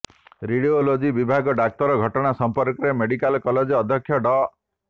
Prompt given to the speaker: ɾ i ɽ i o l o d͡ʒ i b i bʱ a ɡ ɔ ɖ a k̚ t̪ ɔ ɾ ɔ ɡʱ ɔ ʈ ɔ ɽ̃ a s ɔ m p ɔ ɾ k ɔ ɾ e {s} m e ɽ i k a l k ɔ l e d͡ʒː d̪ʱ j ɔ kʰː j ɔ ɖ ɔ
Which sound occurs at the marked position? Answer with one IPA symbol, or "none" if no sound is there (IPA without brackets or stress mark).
none